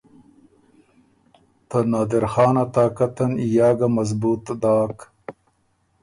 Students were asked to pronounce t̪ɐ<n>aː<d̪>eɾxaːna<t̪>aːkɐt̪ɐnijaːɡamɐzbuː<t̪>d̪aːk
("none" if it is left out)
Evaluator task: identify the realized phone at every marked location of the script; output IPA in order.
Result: n, d̪, t̪, t̪

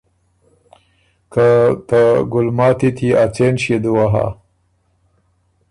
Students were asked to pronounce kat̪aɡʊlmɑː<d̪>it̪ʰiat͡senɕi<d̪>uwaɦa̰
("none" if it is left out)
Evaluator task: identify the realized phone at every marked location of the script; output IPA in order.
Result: t̪, d̪

